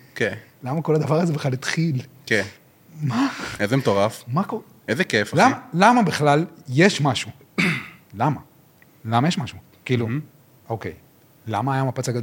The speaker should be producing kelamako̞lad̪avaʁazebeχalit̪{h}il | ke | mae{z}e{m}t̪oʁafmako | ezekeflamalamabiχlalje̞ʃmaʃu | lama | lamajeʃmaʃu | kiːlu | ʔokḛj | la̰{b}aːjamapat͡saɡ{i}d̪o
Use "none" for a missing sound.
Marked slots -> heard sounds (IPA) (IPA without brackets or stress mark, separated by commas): χ, z, m, m, a